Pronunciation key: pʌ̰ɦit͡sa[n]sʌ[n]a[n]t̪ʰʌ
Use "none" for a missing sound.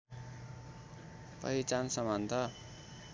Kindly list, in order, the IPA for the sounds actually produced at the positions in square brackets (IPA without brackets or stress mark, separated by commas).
n, m, n